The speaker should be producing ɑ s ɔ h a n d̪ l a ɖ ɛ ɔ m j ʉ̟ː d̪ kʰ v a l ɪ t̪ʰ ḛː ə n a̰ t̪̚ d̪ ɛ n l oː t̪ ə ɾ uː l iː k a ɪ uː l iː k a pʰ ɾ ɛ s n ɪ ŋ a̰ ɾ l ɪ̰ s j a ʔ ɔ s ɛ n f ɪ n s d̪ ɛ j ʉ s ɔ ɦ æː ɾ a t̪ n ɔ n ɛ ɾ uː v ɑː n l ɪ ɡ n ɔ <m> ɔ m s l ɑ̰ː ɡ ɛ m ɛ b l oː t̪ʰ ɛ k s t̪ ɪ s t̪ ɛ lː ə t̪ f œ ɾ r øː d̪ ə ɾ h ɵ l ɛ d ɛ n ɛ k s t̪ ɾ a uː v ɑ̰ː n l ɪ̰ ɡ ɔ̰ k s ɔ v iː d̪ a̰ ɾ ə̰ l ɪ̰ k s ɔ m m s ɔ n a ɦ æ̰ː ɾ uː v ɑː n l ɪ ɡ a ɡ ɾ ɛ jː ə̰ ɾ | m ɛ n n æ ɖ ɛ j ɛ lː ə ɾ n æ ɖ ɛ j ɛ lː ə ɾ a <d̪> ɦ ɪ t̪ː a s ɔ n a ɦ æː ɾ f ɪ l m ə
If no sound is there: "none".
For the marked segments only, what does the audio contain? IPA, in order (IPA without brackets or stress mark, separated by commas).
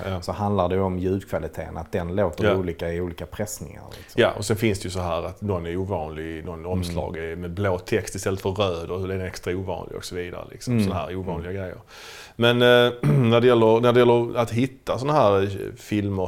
n, t̪